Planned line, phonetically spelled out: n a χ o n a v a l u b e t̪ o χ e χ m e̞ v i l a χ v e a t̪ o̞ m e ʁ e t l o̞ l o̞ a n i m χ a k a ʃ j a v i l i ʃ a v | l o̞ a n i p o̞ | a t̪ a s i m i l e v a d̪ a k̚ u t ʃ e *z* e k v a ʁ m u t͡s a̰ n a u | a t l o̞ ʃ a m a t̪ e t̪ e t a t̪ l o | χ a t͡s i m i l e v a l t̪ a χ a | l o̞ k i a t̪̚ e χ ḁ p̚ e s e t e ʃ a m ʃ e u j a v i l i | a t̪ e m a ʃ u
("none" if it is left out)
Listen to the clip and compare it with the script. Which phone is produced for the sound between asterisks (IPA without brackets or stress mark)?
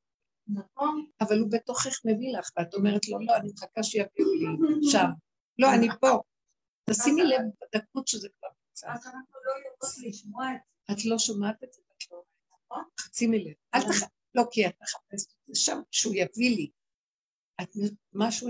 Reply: z